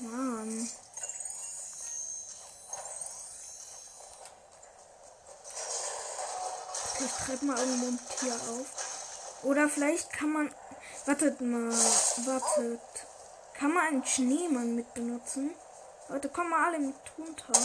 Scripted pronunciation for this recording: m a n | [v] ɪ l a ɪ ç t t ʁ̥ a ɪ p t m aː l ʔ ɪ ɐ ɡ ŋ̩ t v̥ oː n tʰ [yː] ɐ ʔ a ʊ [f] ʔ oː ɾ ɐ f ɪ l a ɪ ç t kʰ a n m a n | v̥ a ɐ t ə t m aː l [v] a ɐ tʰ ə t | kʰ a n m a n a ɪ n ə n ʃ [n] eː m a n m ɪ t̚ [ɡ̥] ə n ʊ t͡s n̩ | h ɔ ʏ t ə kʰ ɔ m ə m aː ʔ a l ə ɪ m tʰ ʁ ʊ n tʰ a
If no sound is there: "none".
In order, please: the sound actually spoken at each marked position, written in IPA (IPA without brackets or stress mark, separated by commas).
f, iː, f, v, n, b̥